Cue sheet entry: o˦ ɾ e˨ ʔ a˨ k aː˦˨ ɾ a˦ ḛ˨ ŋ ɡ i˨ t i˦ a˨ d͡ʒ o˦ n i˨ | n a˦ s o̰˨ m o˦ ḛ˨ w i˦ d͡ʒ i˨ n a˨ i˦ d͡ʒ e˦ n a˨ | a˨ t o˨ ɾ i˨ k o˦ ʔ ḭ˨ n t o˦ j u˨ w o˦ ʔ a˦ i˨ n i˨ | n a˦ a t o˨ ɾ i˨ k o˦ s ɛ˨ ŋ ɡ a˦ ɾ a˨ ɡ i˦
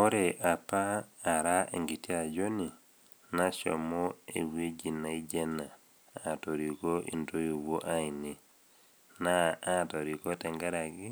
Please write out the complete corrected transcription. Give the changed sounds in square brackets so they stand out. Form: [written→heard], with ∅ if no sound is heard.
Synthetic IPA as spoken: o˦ ɾ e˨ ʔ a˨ [k→p] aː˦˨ ɾ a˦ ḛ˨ ŋ ɡ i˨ t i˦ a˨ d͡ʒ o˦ n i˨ | n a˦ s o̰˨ m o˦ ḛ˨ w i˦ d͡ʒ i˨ n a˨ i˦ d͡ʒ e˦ n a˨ | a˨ t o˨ ɾ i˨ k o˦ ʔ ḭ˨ n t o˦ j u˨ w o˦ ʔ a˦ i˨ n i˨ | n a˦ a t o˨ ɾ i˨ k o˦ [s→t] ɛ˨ ŋ ɡ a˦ ɾ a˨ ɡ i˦